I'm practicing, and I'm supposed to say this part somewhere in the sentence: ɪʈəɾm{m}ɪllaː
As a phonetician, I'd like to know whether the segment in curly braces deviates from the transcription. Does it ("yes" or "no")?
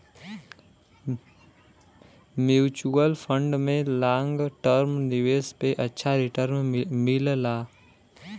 no